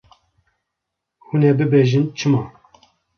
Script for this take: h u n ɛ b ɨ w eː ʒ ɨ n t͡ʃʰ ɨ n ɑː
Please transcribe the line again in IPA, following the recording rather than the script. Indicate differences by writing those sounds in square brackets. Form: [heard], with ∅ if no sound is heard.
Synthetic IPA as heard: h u n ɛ b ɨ [b] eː ʒ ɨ n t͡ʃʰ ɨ [m] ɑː

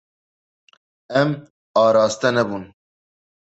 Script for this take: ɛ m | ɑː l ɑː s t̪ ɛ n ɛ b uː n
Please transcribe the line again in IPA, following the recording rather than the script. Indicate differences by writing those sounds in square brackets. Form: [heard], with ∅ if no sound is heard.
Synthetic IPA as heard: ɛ m | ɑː [ɾ] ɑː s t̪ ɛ n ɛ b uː n

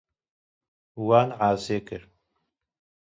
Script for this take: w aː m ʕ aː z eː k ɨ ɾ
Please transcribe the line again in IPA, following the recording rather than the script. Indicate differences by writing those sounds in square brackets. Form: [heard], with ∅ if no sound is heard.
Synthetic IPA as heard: w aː [n] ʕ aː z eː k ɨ ɾ

